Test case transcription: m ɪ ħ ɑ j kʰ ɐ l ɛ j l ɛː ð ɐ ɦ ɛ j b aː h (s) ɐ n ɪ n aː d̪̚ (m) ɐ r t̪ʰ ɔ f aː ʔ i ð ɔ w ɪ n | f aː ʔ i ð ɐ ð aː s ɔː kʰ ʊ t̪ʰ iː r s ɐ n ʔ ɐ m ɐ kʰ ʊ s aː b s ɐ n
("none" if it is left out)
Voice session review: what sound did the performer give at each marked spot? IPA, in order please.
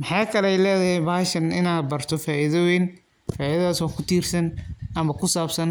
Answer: ʃ, b

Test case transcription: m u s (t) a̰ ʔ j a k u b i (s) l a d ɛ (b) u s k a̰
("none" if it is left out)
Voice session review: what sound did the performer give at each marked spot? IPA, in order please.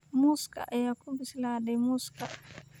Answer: k, s, m

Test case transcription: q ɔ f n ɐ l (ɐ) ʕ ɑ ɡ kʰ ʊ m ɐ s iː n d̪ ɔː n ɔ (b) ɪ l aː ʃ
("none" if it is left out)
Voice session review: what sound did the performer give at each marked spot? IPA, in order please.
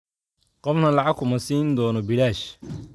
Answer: ɑ, b

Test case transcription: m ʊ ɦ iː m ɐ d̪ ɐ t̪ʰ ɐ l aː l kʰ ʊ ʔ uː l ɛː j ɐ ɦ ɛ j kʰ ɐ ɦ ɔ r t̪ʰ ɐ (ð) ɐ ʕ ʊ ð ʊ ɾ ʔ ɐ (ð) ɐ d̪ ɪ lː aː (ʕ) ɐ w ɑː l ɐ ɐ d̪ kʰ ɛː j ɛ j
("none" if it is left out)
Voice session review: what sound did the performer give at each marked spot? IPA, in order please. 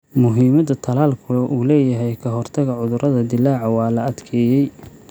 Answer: ɣ, ð, ʕ

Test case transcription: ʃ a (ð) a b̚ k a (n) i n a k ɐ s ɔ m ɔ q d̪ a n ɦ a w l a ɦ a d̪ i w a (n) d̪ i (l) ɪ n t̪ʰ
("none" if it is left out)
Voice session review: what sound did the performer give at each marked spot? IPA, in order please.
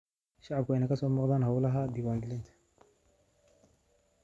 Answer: ʕ, none, n, l

